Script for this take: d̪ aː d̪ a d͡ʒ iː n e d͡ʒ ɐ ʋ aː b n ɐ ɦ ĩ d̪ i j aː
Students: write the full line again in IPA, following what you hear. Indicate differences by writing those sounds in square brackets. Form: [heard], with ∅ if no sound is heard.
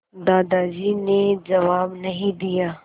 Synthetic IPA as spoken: d̪ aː d̪ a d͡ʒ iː n e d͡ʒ ɐ ʋ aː b n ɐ ɦ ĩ d̪ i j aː